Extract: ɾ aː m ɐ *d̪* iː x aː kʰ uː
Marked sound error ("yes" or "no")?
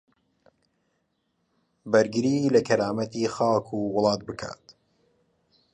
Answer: yes